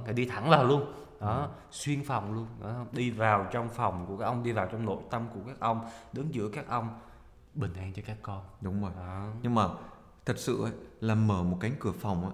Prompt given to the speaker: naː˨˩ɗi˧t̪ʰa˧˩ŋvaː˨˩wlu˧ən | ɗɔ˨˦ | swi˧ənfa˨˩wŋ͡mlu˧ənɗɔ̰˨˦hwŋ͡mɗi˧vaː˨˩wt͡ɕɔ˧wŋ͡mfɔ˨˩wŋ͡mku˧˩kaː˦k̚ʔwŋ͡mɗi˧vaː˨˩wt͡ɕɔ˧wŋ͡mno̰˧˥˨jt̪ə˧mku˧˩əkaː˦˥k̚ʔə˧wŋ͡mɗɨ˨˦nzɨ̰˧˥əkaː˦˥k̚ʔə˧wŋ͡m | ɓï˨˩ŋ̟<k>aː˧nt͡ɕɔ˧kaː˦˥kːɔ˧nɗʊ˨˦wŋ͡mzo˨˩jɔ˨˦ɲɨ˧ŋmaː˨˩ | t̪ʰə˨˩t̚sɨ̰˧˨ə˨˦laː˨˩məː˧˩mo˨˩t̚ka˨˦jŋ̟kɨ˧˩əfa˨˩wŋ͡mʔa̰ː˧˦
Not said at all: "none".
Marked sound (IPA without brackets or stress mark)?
ʔ